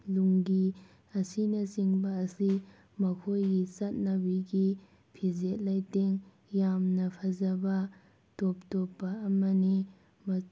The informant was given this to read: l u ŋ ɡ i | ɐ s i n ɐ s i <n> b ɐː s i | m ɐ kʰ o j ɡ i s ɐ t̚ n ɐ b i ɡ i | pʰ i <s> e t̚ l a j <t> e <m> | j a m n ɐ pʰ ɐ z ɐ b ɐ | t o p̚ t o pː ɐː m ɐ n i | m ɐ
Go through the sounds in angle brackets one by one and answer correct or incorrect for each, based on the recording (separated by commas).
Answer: incorrect, incorrect, correct, incorrect